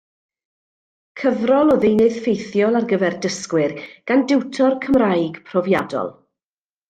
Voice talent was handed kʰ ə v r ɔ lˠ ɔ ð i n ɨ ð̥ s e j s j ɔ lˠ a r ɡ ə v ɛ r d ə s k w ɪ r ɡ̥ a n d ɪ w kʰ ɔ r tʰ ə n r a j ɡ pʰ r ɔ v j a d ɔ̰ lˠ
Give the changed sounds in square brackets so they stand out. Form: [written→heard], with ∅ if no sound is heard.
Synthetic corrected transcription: kʰ ə v r ɔ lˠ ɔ ð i n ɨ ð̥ [s→f] e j [s→θ] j ɔ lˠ a r ɡ ə v ɛ r d ə s k w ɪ r ɡ̥ a n d ɪ w [kʰ→tʰ] ɔ r [tʰ→kʰ] ə [n→m] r a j ɡ pʰ r ɔ v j a d ɔ̰ lˠ